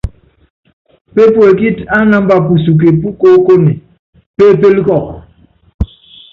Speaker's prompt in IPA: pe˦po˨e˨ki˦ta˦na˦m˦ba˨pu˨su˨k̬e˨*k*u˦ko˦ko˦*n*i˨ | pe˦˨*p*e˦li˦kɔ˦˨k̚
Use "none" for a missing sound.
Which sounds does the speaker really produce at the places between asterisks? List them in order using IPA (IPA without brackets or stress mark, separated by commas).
p, n, p